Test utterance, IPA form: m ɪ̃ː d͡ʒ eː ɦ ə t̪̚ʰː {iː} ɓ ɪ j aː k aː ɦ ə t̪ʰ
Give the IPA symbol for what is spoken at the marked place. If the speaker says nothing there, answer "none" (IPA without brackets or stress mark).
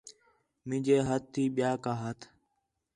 iː